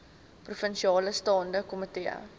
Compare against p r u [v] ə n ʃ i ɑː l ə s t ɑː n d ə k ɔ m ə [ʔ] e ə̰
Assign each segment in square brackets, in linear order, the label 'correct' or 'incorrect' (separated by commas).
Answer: incorrect, incorrect